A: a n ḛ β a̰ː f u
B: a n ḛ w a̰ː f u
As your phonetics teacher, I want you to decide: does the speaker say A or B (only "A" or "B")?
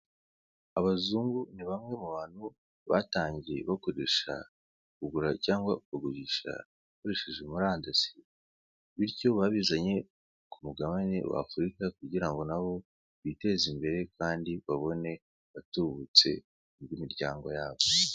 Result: B